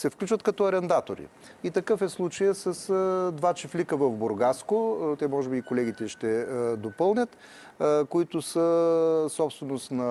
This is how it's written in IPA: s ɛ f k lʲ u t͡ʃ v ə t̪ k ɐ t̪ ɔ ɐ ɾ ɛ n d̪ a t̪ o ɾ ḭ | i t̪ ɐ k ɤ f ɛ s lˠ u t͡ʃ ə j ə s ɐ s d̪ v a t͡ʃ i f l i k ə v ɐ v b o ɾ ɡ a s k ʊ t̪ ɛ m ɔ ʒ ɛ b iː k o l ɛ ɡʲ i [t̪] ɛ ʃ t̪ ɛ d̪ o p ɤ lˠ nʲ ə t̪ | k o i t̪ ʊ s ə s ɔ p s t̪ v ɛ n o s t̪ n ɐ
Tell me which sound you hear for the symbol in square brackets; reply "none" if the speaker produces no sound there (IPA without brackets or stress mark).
t̪